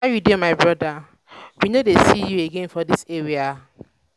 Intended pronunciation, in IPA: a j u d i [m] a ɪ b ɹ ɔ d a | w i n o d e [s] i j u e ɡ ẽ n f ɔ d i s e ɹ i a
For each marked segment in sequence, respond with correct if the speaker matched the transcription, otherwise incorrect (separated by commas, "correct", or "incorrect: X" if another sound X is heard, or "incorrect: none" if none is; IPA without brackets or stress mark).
correct, correct